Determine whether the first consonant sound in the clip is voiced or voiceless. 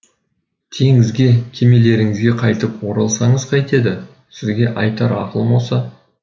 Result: voiceless